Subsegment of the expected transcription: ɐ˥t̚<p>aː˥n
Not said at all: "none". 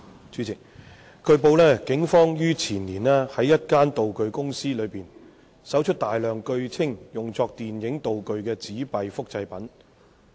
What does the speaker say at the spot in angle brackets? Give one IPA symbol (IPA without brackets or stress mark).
k